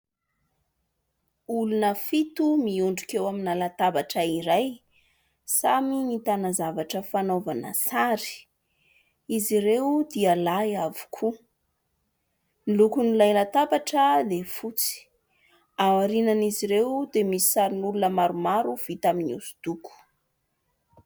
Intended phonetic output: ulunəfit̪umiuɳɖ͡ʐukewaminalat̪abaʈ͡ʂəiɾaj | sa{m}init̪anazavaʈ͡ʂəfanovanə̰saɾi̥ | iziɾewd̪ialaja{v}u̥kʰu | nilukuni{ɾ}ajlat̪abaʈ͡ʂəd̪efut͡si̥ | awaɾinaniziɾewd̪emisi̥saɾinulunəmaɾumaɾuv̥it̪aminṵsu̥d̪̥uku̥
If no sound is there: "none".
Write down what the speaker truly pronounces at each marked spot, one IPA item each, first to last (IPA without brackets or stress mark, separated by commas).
m, v, l